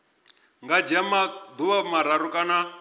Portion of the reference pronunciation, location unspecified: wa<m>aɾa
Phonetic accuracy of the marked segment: correct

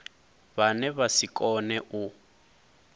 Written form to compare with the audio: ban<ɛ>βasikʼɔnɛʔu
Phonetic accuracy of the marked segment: correct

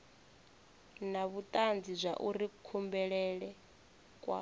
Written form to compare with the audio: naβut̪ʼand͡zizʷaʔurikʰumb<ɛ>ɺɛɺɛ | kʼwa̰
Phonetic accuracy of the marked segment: correct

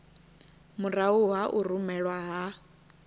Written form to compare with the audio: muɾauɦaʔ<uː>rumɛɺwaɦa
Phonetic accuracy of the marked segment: incorrect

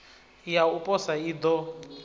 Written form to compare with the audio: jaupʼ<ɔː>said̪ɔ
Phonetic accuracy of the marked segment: incorrect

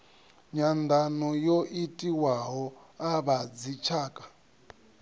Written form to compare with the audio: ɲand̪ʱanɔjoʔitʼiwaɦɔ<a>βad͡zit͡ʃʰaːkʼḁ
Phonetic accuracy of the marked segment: correct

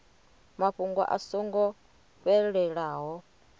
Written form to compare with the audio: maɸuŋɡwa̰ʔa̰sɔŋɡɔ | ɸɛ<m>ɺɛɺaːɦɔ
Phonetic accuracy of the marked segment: incorrect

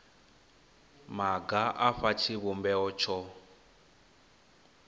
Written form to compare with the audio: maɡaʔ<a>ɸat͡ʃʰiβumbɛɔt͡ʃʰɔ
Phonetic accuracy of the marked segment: correct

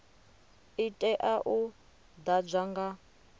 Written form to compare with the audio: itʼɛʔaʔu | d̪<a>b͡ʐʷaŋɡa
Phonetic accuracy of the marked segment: correct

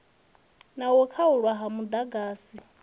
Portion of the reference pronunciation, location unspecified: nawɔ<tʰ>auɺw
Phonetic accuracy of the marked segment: incorrect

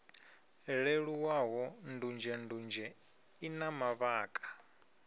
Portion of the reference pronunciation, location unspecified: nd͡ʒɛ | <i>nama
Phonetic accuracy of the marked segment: correct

